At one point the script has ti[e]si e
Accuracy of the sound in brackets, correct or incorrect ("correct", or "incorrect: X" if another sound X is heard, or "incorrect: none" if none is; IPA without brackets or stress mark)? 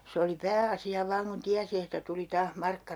incorrect: æ